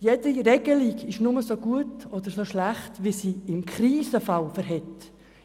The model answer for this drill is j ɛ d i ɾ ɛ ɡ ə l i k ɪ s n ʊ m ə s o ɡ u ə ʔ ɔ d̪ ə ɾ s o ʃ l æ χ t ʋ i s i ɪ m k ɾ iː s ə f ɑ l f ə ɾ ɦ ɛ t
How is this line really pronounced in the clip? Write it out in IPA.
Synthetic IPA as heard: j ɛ d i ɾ ɛ ɡ ə l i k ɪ ʃ n ʊ m ə s o ɡ u ə t ɔ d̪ ə ɾ s o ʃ l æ χ t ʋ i s i ɪ m k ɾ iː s ə f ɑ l f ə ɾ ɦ ɛ t